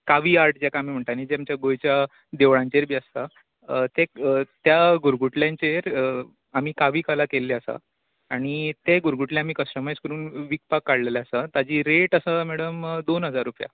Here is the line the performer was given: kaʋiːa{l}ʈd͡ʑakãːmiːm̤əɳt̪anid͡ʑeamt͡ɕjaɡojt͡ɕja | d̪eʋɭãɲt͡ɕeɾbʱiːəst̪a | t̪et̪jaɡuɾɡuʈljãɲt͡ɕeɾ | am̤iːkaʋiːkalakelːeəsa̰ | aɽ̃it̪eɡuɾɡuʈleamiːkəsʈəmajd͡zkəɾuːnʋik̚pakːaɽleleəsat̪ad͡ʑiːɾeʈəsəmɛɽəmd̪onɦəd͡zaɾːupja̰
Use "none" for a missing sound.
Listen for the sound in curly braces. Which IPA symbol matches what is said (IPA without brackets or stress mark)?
ɾ